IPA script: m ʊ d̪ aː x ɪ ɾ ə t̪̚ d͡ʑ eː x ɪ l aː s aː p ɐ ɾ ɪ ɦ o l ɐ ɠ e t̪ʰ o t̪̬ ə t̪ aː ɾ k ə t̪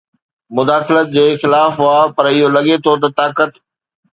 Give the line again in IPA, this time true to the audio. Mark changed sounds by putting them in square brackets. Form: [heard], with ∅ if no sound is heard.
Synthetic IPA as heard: m ʊ d̪ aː x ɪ [l] ə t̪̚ d͡ʑ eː x ɪ l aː [f] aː p ɐ ɾ ɪ ɦ o l ɐ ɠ e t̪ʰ o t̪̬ [ɐ] t̪ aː [∅] k ə t̪